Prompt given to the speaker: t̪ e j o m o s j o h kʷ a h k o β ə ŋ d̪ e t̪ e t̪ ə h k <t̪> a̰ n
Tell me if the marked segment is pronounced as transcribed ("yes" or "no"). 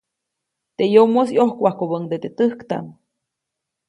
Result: yes